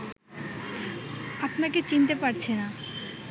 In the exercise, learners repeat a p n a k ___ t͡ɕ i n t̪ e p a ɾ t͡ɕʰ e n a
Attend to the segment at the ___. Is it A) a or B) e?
B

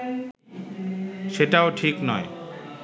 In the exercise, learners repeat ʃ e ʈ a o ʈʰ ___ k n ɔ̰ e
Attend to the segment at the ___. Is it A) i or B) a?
A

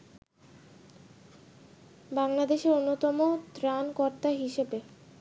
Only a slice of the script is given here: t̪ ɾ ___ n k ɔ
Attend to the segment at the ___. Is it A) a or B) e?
A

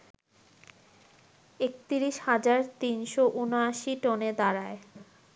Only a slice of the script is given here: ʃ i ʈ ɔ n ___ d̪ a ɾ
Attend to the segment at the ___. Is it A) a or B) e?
B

